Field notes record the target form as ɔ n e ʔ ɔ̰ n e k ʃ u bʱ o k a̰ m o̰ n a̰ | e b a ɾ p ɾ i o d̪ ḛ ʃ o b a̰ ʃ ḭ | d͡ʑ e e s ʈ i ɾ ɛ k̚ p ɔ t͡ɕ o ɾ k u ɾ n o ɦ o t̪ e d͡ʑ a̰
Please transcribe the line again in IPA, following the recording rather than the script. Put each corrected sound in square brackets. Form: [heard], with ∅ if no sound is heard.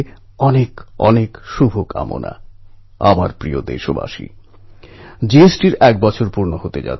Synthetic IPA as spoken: ɔ n e [k] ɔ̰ n e k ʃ u bʱ o k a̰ m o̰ n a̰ | [a] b a ɾ p ɾ i o d̪ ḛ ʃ o b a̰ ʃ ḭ | d͡ʑ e e s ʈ i ɾ ɛ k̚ [b] ɔ [t͡ɕʰ] o ɾ [p] u ɾ n o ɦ o t̪ e d͡ʑ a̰